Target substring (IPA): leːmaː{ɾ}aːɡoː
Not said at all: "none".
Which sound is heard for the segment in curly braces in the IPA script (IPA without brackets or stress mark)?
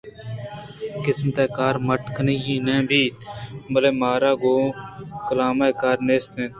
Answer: ɾ